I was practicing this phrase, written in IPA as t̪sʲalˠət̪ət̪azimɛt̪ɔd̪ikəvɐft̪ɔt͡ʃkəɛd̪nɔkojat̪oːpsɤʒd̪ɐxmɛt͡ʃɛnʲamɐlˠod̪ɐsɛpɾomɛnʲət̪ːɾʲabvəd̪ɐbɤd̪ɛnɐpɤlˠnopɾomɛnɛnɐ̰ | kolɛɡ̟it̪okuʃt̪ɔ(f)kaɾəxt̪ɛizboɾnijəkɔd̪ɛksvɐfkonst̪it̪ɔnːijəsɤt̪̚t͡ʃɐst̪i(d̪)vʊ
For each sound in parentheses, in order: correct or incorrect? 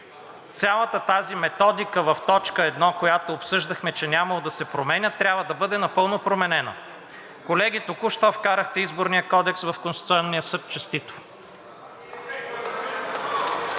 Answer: correct, incorrect

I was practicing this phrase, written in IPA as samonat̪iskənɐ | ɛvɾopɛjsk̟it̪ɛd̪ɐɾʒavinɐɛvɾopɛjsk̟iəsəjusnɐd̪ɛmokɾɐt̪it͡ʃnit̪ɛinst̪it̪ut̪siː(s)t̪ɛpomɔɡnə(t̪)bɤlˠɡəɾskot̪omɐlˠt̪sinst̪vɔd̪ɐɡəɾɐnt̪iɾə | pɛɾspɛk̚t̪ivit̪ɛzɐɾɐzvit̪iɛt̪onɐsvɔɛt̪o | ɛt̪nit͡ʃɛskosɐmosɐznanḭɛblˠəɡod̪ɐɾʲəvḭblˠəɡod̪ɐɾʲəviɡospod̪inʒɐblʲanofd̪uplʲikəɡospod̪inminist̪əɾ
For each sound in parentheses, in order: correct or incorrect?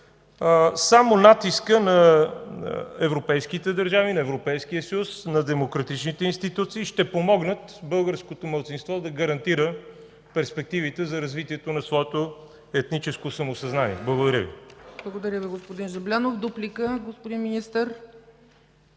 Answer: incorrect, correct

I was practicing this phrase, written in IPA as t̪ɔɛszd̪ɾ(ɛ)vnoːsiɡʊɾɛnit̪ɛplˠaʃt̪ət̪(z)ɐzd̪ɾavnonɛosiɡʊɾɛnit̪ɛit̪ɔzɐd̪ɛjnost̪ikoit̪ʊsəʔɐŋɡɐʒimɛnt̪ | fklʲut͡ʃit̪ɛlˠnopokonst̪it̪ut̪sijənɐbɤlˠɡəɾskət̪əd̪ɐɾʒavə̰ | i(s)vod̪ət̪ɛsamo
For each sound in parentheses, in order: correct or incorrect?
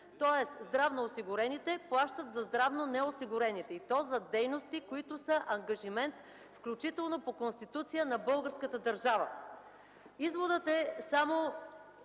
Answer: incorrect, correct, incorrect

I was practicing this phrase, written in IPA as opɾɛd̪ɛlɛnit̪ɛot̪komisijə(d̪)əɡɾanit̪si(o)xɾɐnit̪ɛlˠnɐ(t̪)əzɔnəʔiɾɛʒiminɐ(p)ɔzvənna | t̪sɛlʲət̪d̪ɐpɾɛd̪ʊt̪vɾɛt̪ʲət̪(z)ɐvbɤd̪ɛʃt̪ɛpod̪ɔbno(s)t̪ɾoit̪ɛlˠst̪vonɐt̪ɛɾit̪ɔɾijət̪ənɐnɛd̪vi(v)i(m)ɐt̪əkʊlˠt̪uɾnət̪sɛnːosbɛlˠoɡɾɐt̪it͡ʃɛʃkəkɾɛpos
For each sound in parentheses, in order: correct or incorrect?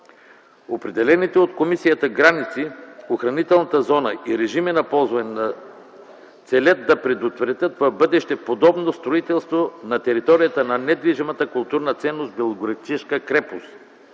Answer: incorrect, correct, correct, correct, incorrect, correct, incorrect, correct

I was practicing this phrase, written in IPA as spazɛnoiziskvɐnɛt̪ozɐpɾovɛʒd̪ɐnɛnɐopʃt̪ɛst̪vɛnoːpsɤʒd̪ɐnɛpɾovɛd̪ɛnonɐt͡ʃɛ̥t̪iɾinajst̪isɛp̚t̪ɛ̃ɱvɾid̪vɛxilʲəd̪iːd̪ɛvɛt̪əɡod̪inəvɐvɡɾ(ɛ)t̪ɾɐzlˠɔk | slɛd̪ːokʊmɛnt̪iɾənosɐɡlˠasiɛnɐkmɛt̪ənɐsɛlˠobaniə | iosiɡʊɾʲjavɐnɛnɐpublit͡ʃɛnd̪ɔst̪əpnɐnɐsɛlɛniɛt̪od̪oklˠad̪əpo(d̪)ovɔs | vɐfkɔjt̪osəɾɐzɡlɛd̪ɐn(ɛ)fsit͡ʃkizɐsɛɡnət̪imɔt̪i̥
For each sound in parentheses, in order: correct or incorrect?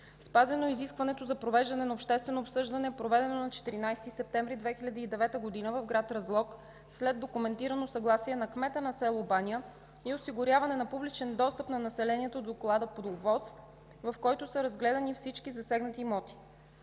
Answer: incorrect, correct, incorrect

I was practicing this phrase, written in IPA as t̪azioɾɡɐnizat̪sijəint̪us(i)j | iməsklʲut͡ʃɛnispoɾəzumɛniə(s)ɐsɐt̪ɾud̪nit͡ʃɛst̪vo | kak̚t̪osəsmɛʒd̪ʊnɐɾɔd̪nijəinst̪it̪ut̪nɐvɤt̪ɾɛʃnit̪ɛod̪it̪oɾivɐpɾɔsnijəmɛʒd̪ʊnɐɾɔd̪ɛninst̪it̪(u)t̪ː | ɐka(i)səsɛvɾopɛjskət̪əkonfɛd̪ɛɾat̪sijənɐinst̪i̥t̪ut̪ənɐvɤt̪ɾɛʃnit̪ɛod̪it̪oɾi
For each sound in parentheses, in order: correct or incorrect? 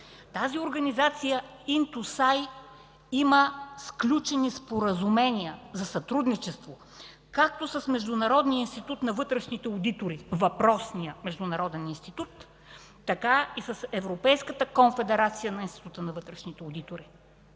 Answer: incorrect, incorrect, correct, correct

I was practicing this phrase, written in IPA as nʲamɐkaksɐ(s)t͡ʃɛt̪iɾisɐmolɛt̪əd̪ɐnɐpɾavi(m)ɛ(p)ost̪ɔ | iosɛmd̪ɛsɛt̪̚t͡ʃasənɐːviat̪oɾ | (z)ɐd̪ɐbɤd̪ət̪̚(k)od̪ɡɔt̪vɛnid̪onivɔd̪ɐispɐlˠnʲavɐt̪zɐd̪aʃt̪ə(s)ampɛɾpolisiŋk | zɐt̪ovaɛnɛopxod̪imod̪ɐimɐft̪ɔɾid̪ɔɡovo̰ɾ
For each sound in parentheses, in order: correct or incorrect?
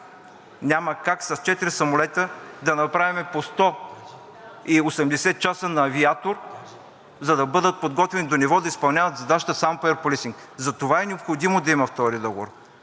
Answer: correct, correct, correct, correct, incorrect, correct

